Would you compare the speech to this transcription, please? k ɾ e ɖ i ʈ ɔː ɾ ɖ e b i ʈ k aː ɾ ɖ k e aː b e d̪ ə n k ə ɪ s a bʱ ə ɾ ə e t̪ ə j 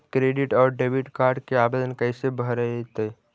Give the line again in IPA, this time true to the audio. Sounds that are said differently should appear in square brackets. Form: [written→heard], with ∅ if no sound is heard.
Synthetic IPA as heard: k ɾ e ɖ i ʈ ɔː ɾ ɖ e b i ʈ k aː ɾ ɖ k e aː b e d̪ ə n k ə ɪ s [a→e] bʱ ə ɾ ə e t̪ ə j